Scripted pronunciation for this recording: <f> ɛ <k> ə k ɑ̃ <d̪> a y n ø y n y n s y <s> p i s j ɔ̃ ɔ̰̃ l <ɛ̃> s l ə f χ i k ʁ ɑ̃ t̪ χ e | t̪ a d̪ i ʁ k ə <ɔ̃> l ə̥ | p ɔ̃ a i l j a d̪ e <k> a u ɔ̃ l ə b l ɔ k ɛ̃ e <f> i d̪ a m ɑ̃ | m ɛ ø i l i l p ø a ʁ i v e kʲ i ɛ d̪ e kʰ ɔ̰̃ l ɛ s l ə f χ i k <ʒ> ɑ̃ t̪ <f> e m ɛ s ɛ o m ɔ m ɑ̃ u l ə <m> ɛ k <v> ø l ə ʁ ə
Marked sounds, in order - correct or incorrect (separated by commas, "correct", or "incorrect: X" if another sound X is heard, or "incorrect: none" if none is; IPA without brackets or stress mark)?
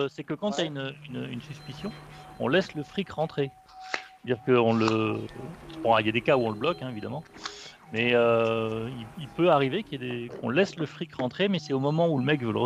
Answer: incorrect: s, correct, incorrect: t̪, correct, incorrect: ɛ, correct, correct, incorrect: v, incorrect: ʁ, incorrect: χ, correct, correct